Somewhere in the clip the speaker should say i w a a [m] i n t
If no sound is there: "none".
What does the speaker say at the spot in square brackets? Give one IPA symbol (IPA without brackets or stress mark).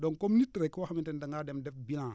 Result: m